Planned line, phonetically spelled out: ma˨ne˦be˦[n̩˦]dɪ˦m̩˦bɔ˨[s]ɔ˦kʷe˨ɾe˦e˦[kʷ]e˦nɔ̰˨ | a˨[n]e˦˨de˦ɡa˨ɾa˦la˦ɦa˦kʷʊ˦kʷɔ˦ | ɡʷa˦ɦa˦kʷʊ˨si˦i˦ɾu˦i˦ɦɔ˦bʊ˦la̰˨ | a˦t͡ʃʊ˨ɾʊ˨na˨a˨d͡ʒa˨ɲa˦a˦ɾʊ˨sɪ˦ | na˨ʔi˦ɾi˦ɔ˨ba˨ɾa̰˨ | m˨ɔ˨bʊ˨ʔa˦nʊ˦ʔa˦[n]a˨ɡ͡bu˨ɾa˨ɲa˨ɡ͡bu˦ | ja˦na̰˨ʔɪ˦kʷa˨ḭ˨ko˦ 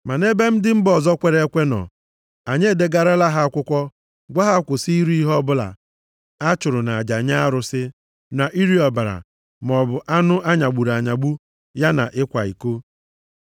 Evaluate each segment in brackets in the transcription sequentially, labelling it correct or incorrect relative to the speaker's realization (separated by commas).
incorrect, incorrect, correct, incorrect, incorrect